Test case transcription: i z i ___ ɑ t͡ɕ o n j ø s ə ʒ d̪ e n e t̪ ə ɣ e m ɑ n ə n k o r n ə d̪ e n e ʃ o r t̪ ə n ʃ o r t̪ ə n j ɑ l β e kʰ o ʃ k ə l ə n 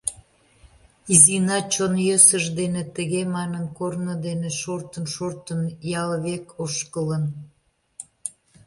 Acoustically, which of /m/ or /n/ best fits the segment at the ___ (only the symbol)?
n